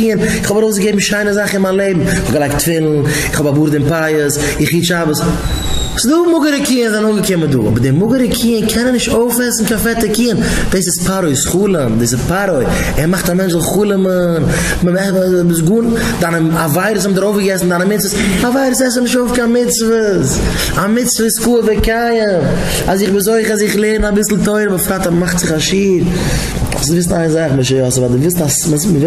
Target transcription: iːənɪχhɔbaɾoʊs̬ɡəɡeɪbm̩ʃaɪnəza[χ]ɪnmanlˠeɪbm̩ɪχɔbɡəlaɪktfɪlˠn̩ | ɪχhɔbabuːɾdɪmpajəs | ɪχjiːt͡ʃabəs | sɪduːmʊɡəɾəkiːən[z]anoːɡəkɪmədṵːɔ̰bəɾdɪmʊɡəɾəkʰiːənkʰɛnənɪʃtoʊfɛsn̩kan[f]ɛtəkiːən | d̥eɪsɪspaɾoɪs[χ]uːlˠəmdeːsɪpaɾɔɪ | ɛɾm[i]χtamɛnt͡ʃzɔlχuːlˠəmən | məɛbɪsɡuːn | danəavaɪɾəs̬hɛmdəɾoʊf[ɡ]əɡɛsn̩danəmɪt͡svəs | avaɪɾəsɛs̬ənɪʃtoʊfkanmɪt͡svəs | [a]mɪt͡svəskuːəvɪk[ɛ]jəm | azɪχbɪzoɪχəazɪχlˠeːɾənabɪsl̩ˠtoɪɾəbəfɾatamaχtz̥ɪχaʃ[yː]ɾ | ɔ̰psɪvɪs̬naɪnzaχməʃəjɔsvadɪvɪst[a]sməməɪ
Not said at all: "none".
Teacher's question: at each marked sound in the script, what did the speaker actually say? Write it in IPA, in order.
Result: χ, z, f, χ, a, ɡ, a, a, iː, a

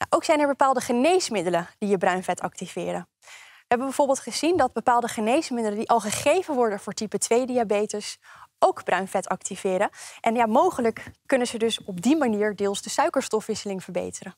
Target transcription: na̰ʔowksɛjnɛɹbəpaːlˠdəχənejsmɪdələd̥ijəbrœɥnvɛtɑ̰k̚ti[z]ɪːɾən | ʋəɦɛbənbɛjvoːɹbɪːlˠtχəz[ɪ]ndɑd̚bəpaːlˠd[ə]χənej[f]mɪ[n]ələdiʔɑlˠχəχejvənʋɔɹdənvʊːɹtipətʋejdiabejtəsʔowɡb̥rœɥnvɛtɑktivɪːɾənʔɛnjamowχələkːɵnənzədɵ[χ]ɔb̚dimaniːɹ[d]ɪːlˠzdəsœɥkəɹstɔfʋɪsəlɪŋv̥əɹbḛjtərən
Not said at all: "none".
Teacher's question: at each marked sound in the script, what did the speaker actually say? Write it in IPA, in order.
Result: v, i, ə, s, d, s, d

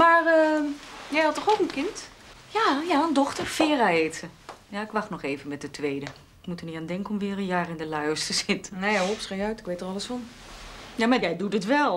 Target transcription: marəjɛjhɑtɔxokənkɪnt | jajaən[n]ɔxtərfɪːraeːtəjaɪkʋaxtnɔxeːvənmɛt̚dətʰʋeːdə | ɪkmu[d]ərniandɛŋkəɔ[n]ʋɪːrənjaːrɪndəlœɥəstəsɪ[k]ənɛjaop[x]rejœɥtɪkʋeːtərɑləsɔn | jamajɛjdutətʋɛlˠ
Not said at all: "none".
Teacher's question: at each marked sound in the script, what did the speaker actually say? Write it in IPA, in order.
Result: d, t, m, t, s

